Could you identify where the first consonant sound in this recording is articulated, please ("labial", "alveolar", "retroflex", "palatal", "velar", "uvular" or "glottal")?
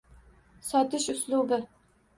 alveolar